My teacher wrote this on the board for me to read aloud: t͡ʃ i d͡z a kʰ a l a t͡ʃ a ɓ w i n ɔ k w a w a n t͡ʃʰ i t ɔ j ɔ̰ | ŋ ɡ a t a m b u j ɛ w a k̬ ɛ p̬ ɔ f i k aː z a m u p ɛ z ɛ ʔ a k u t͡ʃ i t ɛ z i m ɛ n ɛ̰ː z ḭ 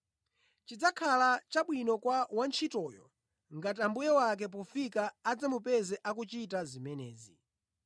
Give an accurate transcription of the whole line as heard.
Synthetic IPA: t͡ʃ i d͡z a kʰ a l a t͡ʃ a ɓ w i n ɔ k w a w a n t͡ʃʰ i t ɔ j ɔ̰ | ŋ ɡ a t a m b u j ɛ w a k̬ ɛ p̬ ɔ f i k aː d͡z a m u p ɛ z ɛ ʔ a k u t͡ʃ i t a z i m ɛ n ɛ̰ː z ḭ